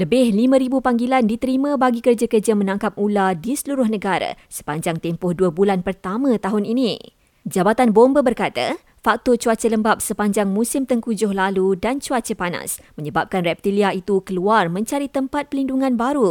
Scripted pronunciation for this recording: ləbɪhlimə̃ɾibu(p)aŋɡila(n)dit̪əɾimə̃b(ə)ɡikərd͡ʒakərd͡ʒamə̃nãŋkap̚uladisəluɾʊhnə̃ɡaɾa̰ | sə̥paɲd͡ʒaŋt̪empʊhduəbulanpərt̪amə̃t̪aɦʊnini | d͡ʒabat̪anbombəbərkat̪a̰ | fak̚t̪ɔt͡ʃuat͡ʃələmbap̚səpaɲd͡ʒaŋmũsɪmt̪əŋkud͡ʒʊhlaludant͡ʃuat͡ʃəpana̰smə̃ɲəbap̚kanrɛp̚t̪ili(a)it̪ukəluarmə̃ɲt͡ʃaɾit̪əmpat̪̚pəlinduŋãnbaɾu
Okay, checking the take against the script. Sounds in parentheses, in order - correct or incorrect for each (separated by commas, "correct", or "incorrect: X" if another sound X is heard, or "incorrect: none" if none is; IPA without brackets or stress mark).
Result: correct, correct, incorrect: a, correct